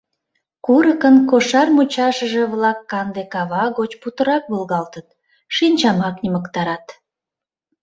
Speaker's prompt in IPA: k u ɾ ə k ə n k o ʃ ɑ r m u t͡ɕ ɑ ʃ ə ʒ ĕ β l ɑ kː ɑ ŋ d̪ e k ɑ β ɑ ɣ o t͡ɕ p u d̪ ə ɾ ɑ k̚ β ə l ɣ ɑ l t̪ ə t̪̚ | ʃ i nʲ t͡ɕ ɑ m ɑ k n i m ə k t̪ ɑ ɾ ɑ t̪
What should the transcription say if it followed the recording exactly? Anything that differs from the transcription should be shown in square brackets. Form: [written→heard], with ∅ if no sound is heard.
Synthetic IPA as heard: k u ɾ ə k ə n k o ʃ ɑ r m u t͡ɕ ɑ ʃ ə ʒ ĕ β l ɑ kː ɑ [ŋ→n] d̪ e k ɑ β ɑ ɣ o t͡ɕ p u [d̪→t̪] ə ɾ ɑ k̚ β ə l ɣ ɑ l t̪ ə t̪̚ | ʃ i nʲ t͡ɕ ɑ m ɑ k n i m ə k t̪ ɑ ɾ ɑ t̪

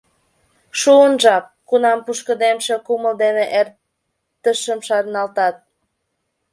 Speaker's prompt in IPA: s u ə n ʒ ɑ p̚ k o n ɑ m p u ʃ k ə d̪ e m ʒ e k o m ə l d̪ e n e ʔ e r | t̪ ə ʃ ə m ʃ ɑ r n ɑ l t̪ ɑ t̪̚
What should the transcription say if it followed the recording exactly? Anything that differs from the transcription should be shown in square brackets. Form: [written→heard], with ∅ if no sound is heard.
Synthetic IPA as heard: [s→ʃ] u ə n ʒ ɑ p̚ k [o→u] n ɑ m p u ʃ k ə d̪ e m [ʒ→ʃ] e k [o→u] m ə l d̪ e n e ʔ e r | t̪ ə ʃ ə m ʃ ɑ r n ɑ l t̪ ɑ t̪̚

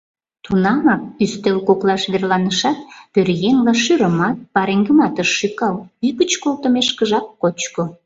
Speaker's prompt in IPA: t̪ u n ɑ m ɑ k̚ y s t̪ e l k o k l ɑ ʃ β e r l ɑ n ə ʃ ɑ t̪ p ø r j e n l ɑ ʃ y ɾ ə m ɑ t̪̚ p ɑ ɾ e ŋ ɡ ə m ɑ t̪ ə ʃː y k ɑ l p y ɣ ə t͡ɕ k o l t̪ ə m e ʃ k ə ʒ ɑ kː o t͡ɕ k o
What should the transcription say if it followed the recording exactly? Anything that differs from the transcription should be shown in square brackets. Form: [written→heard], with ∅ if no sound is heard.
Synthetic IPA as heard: t̪ u n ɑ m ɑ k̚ y s t̪ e l k o k l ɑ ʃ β e r l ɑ n ə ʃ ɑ t̪ p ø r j e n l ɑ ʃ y ɾ ə m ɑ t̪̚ p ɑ ɾ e ŋ ɡ ə m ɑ t̪ ə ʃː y k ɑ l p y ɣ ə t͡ɕ k o l t̪ ə m e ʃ k ə ʒ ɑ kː o t͡ɕ k o

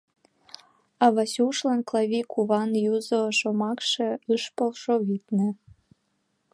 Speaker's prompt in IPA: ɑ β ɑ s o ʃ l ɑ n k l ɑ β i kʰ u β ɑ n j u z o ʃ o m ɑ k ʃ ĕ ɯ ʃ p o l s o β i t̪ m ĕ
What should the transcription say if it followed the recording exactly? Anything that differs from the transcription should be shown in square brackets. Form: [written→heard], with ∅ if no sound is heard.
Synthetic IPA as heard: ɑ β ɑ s [o→u] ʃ l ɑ n k l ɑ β i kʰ u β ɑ n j u z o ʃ o m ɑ k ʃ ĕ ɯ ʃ p o l [s→ʃ] o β i t̪ [m→n] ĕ

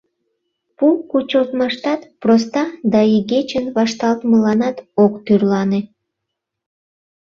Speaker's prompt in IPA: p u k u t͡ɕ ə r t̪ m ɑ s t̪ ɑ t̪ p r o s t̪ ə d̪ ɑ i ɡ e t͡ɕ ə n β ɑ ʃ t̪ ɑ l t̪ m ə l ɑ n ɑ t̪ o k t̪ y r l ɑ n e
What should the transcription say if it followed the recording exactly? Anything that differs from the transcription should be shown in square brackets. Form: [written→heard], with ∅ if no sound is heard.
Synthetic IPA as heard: p u k u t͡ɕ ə [r→l] t̪ m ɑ [s→ʃ] t̪ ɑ t̪ p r o s t̪ [ə→ɑ] d̪ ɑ i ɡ e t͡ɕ ə n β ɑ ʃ t̪ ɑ l t̪ m ə l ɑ n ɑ t̪ o k t̪ y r l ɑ n e

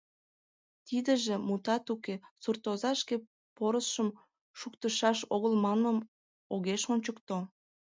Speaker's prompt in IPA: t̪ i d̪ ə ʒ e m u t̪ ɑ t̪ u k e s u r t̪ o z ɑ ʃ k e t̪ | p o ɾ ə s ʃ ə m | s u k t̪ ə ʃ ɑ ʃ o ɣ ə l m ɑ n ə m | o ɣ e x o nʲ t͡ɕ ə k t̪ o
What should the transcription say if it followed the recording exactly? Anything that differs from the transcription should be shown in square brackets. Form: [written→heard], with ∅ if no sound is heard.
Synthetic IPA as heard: t̪ i d̪ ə ʒ e m u t̪ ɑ t̪ u k e s u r t̪ o z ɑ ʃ k e [t̪→∅] | p o ɾ ə s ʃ ə m | [s→ʃ] u k t̪ ə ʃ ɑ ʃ o ɣ ə l m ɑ n ə m | o ɣ e [x→ʃ] o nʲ t͡ɕ ə k t̪ o

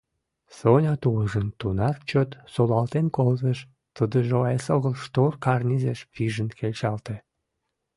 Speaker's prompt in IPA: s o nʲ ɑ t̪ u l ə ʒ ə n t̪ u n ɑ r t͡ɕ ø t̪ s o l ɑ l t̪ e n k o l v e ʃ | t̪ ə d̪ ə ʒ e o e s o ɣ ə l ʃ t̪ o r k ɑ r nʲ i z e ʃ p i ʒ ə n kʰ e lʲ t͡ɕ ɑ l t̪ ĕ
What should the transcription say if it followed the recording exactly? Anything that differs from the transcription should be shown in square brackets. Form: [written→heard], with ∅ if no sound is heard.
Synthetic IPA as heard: s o nʲ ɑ t̪ u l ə ʒ ə n t̪ u n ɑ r t͡ɕ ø t̪ s o l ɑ l t̪ e n k o l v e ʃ | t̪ ə d̪ ə ʒ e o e s o ɣ ə l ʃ t̪ o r k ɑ r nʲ i z e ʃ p i ʒ ə n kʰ e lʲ t͡ɕ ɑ l t̪ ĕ

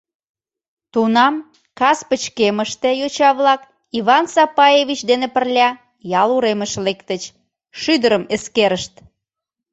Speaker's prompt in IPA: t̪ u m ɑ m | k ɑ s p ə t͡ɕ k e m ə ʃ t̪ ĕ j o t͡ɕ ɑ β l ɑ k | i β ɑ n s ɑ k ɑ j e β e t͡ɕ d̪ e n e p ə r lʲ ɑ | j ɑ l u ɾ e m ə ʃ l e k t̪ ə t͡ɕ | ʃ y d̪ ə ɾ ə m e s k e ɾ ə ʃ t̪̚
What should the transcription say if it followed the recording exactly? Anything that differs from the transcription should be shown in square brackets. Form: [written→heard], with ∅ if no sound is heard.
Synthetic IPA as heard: t̪ u [m→n] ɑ m | k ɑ s p ə t͡ɕ k e m ə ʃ t̪ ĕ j o t͡ɕ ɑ β l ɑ k | i β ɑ n s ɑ [k→p] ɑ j e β [e→i] t͡ɕ d̪ e n e p ə r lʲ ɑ | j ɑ l u ɾ e m ə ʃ l e k t̪ ə t͡ɕ | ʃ y d̪ ə ɾ ə m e s k e ɾ ə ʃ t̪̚

